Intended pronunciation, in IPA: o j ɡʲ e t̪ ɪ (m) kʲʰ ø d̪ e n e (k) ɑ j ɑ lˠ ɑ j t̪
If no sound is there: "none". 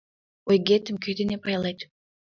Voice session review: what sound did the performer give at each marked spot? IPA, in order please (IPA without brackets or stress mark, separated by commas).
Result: m, p